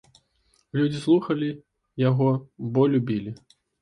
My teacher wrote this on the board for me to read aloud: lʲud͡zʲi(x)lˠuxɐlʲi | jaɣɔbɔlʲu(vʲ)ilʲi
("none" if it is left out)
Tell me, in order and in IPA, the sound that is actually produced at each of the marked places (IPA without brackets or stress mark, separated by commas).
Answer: s, bʲ